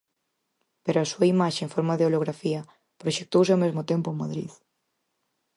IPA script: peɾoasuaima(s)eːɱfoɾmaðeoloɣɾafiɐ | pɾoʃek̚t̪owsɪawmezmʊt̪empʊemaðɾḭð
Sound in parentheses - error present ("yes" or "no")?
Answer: yes